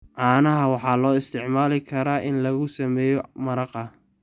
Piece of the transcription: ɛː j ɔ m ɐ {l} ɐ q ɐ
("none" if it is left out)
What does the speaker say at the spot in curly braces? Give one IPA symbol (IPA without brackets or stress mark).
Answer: ɾ